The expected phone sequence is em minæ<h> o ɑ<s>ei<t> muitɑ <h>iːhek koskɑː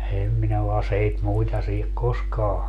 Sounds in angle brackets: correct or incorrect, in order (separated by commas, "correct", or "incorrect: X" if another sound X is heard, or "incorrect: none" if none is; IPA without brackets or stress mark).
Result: incorrect: none, correct, correct, incorrect: s